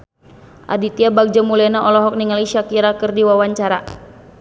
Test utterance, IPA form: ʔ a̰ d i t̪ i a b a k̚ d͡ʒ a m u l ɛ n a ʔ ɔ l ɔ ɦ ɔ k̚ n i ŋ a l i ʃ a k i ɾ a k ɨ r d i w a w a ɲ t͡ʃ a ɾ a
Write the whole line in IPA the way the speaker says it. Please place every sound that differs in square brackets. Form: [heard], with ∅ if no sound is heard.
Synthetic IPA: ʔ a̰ d i t̪ i a b a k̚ d͡ʒ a m u l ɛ n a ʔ ɔ l ɔ ɦ ɔ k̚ n i ŋ a l i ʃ a k i ɾ a k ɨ r d i w a w a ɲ t͡ʃ a ɾ a